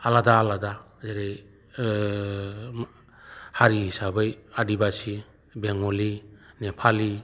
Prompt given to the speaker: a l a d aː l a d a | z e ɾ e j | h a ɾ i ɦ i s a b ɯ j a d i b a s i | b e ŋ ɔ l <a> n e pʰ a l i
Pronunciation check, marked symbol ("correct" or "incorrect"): incorrect